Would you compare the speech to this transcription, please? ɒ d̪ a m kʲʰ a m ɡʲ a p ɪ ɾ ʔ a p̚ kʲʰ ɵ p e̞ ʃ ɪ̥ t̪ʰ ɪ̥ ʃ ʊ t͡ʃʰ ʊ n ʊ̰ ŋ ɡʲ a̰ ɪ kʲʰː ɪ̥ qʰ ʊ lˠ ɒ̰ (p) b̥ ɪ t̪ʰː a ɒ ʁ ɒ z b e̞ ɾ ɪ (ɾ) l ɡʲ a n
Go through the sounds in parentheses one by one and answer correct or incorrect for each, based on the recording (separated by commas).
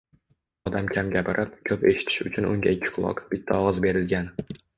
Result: incorrect, incorrect